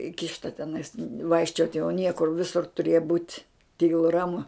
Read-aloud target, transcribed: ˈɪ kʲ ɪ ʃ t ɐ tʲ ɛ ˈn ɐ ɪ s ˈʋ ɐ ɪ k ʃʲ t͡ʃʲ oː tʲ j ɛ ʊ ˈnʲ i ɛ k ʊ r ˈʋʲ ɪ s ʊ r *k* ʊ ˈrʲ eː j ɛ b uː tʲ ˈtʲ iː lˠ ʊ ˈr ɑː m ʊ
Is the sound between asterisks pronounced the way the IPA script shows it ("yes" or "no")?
no